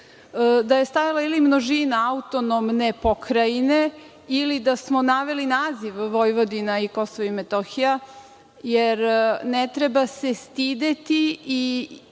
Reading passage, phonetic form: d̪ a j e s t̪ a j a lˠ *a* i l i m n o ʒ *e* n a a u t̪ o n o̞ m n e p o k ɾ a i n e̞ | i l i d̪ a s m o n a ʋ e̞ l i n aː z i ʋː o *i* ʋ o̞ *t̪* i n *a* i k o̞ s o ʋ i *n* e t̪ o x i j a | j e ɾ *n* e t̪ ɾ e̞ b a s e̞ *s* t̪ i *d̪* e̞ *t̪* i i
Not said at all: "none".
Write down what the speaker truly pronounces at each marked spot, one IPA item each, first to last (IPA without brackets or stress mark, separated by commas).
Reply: a, i, j, d̪, a, m, n, s, d̪, t̪